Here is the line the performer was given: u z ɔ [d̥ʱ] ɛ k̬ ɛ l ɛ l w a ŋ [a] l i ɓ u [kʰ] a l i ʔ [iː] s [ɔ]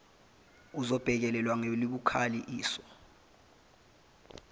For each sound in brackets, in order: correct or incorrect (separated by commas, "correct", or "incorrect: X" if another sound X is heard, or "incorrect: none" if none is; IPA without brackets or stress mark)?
incorrect: b̥ʱ, incorrect: e, correct, correct, correct